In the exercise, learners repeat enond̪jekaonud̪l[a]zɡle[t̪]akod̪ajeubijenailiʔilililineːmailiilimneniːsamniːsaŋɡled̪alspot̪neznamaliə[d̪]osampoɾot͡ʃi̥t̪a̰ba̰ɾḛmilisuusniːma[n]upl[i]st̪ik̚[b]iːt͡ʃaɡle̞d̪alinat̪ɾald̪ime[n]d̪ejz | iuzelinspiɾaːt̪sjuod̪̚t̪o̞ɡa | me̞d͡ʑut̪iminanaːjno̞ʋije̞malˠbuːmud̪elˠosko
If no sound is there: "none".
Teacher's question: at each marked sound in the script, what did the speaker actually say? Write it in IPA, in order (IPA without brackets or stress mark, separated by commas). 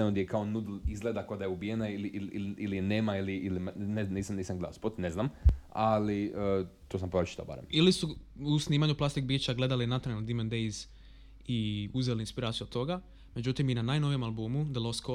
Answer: i, d̪, t̪, ɲ, a, b, n